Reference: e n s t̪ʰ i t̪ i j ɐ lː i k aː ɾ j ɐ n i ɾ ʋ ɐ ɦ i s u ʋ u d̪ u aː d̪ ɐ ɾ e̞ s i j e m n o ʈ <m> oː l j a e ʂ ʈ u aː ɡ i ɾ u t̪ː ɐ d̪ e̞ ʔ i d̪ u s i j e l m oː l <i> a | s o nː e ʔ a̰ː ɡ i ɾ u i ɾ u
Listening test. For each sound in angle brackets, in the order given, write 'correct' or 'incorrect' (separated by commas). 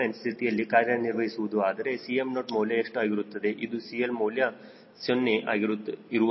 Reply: correct, incorrect